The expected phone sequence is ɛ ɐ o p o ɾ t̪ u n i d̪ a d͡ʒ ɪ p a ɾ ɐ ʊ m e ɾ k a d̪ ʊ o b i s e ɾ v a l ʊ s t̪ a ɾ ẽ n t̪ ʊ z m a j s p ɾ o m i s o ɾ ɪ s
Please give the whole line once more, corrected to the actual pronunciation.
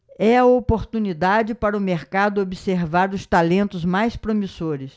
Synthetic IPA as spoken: ɛ ɐ o p o ɾ t̪ u n i d̪ a d͡ʒ ɪ p a ɾ ɐ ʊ m e ɾ k a d̪ ʊ o b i s e ɾ v a ɾ ʊ s t̪ a l ẽ n t̪ ʊ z m a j s p ɾ o m i s o ɾ ɪ s